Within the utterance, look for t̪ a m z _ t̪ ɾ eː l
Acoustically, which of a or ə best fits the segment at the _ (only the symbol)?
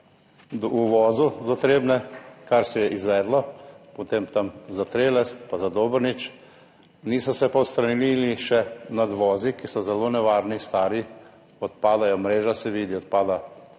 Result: a